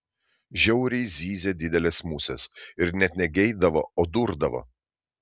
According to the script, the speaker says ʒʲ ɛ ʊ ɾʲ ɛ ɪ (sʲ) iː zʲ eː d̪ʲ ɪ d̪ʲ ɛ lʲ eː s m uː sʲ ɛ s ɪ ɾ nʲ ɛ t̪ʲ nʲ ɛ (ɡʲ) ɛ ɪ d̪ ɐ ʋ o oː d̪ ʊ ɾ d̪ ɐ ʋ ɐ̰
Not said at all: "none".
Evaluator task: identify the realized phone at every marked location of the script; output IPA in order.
zʲ, ɡʲ

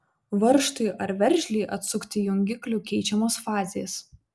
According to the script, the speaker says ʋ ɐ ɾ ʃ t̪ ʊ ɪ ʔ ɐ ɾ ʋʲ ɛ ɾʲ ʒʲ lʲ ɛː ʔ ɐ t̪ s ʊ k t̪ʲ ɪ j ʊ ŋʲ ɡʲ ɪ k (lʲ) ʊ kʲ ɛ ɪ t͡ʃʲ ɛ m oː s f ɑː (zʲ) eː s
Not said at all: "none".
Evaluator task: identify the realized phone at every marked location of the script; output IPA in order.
lʲ, zʲ

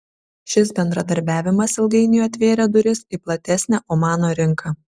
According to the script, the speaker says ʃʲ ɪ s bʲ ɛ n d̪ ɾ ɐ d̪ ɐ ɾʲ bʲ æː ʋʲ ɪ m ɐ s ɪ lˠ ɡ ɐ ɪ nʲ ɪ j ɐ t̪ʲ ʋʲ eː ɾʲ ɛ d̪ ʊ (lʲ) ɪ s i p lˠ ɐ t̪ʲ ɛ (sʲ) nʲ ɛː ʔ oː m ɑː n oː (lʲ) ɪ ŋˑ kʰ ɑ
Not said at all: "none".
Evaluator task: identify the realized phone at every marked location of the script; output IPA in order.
ɾʲ, sʲ, ɾʲ

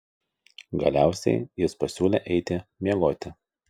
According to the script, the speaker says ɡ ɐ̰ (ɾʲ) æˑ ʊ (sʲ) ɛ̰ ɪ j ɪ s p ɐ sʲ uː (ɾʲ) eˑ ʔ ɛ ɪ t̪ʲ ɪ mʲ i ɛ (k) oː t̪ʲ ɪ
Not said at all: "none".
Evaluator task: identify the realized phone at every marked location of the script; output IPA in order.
lʲ, sʲ, lʲ, ɡ

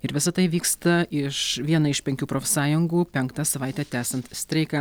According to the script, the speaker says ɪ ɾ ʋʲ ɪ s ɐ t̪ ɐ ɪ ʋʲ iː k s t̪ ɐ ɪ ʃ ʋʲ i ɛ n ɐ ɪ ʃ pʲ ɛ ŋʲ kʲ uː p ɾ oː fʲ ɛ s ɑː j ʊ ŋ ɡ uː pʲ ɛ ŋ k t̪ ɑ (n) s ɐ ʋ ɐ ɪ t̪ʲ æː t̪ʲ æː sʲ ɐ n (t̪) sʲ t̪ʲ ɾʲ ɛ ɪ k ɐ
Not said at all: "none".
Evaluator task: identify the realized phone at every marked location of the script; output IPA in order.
none, t̪

